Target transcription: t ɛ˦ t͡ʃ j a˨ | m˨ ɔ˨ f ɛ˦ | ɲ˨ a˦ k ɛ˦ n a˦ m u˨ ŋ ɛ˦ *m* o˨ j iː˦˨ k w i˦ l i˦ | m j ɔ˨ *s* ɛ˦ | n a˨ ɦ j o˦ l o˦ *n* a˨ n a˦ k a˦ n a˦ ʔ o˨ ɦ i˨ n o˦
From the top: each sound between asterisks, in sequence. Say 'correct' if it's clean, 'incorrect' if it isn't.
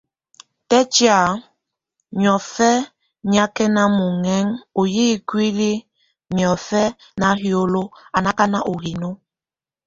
incorrect: ŋ, incorrect: f, incorrect: none

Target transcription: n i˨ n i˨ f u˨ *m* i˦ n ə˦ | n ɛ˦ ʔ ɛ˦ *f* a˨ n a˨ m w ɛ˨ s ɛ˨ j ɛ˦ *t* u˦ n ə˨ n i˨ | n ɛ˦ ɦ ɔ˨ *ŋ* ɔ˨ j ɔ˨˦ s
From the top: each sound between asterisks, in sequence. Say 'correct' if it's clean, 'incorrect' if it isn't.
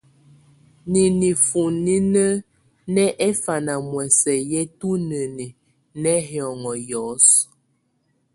incorrect: n, correct, correct, correct

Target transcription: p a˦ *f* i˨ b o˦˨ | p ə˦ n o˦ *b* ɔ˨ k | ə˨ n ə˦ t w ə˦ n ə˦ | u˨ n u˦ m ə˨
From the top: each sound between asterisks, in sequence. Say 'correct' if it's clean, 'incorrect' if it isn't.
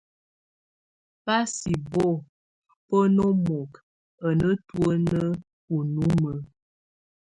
incorrect: s, incorrect: m

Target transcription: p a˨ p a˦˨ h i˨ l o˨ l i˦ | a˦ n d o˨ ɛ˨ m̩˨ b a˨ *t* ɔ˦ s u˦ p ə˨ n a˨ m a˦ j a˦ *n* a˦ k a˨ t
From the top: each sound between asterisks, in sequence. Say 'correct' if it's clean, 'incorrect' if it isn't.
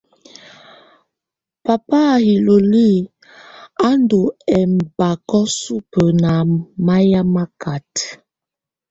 incorrect: k, incorrect: m

